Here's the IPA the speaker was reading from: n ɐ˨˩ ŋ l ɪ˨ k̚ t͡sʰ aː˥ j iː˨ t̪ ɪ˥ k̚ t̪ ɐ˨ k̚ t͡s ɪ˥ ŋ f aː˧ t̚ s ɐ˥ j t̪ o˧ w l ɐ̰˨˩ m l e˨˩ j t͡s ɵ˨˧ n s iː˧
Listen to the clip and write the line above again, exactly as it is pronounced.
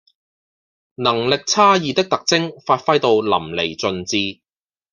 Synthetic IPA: n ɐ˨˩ ŋ l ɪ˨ k̚ t͡sʰ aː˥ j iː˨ t̪ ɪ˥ k̚ t̪ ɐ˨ k̚ t͡s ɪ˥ ŋ f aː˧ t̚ f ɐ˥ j t̪ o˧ w l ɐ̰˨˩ m l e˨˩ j t͡s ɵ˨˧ n t͡s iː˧